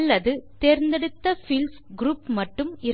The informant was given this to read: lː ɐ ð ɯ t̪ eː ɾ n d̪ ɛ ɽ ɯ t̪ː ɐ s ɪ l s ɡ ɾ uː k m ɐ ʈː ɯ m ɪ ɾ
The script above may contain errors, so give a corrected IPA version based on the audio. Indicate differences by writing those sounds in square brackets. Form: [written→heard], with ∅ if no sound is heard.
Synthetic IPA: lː ɐ ð ɯ t̪ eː ɾ n d̪ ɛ ɽ ɯ t̪ː ɐ [s→f] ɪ l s ɡ ɾ uː [k→p] m ɐ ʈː ɯ m ɪ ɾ